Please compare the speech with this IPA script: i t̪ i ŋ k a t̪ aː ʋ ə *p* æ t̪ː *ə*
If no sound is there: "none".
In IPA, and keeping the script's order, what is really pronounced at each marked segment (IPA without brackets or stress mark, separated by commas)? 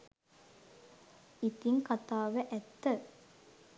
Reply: ʔ, ə